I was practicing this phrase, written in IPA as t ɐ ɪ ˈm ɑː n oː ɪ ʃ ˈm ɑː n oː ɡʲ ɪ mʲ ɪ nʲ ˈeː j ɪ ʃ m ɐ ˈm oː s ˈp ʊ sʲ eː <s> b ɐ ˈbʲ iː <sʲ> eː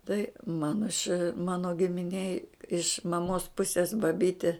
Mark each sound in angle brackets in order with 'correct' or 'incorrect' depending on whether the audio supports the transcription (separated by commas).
correct, incorrect